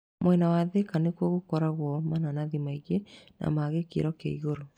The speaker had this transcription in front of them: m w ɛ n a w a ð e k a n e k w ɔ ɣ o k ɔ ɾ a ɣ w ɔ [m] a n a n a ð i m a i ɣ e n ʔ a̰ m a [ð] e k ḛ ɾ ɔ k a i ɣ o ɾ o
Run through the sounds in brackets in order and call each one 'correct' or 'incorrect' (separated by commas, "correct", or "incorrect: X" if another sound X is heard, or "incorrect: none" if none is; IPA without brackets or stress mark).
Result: correct, incorrect: ɣ